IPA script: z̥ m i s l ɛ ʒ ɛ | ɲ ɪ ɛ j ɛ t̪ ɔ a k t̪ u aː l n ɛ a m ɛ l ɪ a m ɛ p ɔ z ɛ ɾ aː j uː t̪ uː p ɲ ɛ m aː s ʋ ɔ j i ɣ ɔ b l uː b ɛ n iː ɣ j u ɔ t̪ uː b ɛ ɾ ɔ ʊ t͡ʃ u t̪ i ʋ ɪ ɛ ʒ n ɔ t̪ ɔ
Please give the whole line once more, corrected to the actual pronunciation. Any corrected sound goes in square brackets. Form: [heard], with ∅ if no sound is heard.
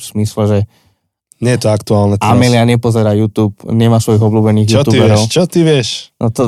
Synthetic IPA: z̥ m i s l ɛ ʒ ɛ | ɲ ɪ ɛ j ɛ t̪ ɔ a k t̪ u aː l n ɛ a m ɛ l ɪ a [ɲ] ɛ p ɔ z ɛ ɾ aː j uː t̪ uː p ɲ ɛ m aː s ʋ ɔ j i ɣ ɔ b l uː b ɛ n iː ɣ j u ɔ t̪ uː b ɛ ɾ ɔ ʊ t͡ʃ [ɔ] t̪ i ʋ ɪ ɛ [ʃ] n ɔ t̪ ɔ